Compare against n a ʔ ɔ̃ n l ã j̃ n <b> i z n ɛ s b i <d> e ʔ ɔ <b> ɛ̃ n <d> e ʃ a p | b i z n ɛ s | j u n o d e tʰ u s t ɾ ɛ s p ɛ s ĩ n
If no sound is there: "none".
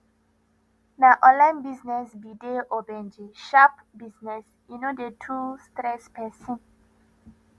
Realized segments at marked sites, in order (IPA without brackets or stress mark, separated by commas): b, d, b, d͡ʒ